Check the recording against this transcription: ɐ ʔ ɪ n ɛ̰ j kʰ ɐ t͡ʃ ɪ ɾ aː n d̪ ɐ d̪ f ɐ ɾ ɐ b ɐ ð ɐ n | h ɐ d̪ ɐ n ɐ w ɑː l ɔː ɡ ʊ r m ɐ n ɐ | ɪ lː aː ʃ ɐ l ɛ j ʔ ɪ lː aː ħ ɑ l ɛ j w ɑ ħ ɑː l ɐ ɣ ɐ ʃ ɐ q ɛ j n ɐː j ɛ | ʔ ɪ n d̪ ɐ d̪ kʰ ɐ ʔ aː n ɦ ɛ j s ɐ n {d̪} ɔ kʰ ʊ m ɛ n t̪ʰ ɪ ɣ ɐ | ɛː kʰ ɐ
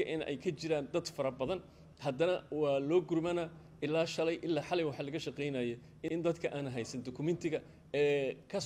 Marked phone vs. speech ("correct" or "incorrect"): correct